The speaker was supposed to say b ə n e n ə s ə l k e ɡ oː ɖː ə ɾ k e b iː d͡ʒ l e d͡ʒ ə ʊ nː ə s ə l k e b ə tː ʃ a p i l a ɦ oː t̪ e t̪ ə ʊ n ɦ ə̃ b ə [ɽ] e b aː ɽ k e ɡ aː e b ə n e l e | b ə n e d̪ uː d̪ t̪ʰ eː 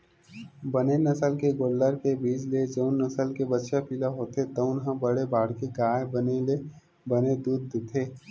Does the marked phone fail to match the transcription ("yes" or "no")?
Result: no